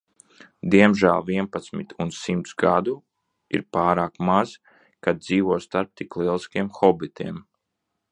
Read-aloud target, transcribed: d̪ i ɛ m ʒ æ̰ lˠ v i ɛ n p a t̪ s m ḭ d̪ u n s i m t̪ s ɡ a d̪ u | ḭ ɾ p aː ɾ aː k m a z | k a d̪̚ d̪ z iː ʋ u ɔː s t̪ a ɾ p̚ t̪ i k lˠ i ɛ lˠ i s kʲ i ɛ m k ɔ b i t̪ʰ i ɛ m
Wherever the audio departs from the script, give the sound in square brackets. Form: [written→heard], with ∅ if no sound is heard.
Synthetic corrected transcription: d̪ i ɛ m ʒ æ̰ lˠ v i ɛ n p a t̪ s m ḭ [d̪→t̪] u n s i m t̪ s ɡ a d̪ u | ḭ ɾ p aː ɾ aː k m a z | k a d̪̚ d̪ z iː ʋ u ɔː s t̪ a ɾ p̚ t̪ i k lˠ i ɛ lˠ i s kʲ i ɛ m [k→x] ɔ b i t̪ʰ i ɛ m